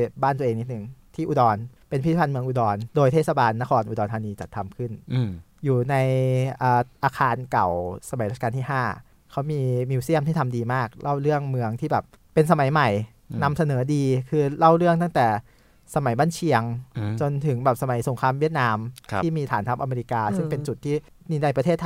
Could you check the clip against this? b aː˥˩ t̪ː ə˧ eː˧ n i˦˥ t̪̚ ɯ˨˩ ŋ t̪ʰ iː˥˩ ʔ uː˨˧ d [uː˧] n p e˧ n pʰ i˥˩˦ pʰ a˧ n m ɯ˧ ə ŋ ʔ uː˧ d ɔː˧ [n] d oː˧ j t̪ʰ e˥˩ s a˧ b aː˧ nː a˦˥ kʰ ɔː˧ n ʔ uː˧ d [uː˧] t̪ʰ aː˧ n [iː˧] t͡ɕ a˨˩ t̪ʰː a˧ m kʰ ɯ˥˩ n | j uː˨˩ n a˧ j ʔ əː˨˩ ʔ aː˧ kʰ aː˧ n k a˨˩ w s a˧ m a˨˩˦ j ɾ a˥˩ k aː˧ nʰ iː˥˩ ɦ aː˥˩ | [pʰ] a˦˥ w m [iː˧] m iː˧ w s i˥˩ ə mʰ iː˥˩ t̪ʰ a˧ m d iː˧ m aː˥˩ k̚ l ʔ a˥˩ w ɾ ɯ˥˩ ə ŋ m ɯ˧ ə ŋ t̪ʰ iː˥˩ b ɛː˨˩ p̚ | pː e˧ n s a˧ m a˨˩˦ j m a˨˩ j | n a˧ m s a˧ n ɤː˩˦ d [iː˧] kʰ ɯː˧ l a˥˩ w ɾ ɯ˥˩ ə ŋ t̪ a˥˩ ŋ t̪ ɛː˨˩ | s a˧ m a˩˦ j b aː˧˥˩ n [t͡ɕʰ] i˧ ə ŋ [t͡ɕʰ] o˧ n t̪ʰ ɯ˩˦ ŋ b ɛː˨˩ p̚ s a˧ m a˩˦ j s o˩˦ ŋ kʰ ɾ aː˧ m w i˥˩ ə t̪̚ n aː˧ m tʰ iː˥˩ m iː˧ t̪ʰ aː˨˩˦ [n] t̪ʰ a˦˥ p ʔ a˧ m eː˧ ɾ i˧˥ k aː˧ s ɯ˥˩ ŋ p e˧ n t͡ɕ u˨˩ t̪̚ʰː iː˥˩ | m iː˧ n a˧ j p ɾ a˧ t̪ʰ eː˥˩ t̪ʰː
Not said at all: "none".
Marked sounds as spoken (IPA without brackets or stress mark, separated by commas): ɔː˧, n, ɔː˧, iː˧, kʰ, iː˧, iː˧, t͡ɕʰ, t͡ɕ, n